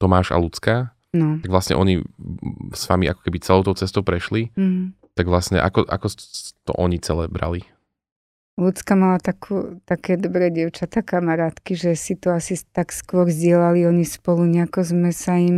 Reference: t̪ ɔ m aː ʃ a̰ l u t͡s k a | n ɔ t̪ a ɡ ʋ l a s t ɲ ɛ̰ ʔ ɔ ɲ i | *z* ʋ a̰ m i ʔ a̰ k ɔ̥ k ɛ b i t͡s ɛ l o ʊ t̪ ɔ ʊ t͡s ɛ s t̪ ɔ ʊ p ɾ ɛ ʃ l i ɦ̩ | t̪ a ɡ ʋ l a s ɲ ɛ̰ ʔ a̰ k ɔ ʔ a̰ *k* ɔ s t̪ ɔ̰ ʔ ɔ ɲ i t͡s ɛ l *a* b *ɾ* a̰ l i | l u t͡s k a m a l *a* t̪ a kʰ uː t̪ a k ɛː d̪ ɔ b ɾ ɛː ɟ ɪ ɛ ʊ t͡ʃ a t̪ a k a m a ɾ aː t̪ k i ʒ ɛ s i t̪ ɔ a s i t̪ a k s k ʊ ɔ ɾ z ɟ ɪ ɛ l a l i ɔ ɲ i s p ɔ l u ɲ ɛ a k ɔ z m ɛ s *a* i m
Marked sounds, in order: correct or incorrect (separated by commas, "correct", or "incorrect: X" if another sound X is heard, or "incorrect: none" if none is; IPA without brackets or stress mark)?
incorrect: s, correct, incorrect: ɛ, correct, correct, correct